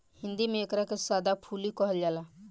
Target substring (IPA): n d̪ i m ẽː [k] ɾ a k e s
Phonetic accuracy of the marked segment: correct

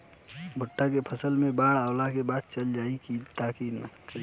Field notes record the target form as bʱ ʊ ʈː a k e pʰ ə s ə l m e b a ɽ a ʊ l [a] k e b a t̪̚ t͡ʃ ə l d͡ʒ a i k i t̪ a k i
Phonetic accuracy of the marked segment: correct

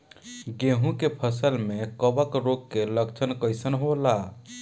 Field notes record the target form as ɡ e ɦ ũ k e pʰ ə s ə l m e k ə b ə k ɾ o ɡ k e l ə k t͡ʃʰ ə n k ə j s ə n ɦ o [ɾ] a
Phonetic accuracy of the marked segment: incorrect: l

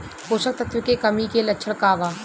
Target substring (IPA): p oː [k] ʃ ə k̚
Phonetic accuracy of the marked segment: incorrect: none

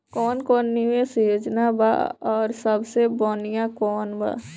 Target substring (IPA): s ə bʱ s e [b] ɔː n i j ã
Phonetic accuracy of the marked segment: correct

